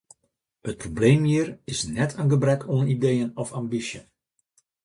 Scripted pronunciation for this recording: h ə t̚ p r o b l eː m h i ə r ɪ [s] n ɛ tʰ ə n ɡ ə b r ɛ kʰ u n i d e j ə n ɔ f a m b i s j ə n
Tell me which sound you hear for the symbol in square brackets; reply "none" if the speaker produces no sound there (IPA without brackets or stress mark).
s